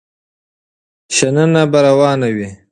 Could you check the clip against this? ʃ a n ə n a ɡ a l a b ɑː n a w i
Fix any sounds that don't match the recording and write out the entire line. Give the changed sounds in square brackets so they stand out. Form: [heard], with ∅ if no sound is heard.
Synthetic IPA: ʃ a n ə n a [b] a [ɾ] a [w] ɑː n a w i